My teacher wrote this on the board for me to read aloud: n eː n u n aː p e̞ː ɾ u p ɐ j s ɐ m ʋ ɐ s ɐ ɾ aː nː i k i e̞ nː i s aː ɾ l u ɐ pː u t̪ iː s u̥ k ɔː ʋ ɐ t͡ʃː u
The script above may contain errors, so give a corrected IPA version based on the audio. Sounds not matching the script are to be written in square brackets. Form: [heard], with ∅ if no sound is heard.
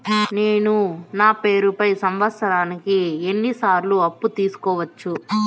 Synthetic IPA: n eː n u n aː p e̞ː ɾ u p ɐ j s ɐ m ʋ ɐ s ɐ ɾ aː [n] i k i e̞ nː i s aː ɾ l u ɐ pː u t̪ iː s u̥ k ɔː ʋ ɐ t͡ʃː u